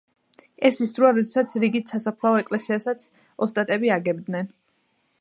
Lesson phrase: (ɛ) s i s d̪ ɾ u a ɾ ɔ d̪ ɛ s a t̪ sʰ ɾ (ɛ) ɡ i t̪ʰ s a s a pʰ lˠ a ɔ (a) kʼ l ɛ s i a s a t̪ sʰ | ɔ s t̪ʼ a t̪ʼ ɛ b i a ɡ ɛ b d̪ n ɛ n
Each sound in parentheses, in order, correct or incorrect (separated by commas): correct, incorrect, incorrect